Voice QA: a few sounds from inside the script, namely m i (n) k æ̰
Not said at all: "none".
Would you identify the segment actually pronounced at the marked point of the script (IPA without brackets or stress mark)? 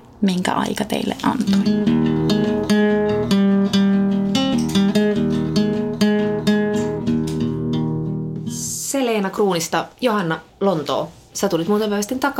ŋ